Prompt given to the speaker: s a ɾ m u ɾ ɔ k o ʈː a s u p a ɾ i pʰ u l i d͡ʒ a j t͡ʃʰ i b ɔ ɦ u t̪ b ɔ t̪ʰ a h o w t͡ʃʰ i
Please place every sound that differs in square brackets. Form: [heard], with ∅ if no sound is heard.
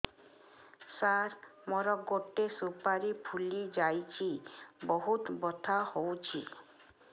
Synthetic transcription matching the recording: s a ɾ m [ɔ] ɾ ɔ [ɡ] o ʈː [e] s u p a ɾ i pʰ u l i d͡ʒ a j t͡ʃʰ i b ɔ ɦ u t̪ b ɔ t̪ʰ a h o w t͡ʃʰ i